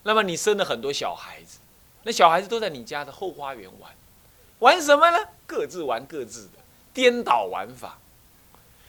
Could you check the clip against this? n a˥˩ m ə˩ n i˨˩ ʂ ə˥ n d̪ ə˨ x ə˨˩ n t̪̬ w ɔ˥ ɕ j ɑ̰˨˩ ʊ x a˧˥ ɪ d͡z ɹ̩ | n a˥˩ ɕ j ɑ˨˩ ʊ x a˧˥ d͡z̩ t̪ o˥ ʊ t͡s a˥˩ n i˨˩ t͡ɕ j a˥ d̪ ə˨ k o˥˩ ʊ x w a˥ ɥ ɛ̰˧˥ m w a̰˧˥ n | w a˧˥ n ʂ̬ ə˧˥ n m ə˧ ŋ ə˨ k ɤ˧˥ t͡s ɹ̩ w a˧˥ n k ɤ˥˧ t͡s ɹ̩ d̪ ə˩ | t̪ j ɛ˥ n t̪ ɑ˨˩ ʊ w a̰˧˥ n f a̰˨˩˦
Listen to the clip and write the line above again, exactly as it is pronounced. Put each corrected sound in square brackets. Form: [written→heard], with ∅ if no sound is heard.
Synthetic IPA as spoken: n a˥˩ m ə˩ n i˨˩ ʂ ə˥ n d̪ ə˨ x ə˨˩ n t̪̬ w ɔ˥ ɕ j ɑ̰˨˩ ʊ x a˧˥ ɪ d͡z ɹ̩ | n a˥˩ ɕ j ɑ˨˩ ʊ x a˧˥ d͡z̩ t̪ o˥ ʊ t͡s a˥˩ n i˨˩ t͡ɕ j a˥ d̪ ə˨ [k→x] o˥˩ ʊ x w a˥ ɥ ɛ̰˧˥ [m→n] w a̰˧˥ n | w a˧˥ n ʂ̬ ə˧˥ n m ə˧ [ŋ→n] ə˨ k [ɤ˧˥→ɤ˥˧] t͡s ɹ̩ w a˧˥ n k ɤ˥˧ t͡s ɹ̩ d̪ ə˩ | t̪ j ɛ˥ n t̪ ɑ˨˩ ʊ w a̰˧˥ n f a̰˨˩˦